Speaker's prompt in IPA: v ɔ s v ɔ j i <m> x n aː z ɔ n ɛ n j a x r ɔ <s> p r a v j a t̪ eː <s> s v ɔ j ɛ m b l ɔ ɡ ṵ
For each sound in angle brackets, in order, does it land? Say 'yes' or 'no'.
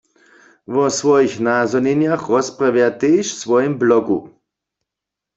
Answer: no, yes, no

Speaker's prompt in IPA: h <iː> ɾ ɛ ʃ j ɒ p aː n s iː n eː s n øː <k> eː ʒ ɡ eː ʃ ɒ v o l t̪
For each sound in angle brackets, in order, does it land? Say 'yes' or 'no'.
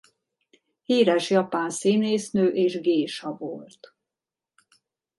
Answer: yes, no

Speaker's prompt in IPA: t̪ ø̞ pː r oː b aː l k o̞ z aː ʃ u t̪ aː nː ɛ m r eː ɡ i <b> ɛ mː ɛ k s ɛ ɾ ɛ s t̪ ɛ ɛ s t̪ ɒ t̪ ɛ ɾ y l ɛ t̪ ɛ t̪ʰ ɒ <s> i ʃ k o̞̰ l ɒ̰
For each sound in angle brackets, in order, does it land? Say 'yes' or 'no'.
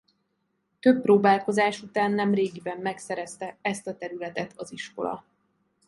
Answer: yes, no

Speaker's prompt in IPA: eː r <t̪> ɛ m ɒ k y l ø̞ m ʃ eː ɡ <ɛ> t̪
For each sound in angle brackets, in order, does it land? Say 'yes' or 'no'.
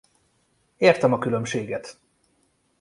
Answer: yes, yes

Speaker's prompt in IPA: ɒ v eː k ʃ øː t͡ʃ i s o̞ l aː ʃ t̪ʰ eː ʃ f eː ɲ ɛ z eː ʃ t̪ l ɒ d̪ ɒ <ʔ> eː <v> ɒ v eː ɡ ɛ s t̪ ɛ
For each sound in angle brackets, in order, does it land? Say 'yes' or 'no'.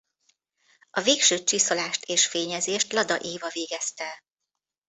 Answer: yes, yes

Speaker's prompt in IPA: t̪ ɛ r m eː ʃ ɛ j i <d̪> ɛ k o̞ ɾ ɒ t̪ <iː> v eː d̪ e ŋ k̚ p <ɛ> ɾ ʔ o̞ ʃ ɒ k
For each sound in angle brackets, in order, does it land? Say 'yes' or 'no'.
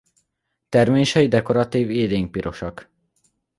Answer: yes, yes, no

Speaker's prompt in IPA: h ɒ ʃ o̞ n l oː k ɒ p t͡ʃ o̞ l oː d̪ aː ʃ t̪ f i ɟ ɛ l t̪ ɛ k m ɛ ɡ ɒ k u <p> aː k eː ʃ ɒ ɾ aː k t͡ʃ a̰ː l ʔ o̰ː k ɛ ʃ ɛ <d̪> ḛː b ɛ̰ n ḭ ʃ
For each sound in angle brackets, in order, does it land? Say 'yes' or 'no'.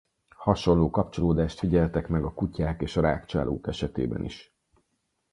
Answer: no, no

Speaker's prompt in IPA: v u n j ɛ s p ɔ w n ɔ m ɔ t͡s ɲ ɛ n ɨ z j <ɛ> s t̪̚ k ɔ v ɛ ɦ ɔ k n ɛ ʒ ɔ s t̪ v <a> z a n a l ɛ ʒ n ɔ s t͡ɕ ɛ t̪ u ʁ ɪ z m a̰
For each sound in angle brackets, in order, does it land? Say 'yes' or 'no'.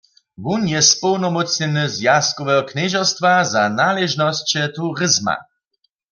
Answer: no, yes

